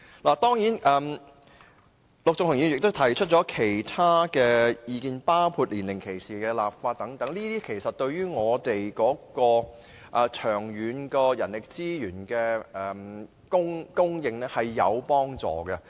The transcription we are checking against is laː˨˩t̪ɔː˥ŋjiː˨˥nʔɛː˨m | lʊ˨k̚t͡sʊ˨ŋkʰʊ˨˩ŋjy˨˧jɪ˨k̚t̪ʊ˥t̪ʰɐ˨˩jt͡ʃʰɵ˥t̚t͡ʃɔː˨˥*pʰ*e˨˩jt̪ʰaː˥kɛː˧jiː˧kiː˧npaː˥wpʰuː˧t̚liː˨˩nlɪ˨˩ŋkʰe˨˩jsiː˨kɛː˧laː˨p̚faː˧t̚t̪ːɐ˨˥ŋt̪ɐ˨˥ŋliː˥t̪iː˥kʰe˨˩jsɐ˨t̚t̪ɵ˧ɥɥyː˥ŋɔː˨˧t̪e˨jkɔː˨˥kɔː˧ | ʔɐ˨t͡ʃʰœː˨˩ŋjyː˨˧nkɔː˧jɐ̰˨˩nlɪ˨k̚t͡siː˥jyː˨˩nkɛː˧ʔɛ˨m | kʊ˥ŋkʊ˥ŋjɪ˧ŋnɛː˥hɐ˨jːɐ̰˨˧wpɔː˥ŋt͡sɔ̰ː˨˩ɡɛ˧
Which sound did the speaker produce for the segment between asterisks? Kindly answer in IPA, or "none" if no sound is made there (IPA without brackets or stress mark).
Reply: kʰ